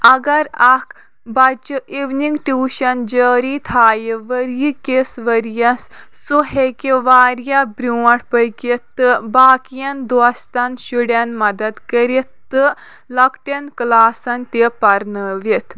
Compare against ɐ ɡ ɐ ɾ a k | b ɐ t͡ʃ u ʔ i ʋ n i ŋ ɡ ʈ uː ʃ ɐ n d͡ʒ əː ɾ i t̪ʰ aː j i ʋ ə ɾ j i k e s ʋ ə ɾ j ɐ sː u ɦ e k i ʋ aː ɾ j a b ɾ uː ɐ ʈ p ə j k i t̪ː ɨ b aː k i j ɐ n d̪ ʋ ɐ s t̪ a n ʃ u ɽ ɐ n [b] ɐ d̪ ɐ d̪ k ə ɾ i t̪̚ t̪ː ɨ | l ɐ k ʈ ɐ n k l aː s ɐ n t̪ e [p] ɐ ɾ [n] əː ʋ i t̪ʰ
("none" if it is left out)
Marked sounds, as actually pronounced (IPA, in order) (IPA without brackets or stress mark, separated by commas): m, p, n